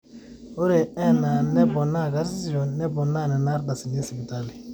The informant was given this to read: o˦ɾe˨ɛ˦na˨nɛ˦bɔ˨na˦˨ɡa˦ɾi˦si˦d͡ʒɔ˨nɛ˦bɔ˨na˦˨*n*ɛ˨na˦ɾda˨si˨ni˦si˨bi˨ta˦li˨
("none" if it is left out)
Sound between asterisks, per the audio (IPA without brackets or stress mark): n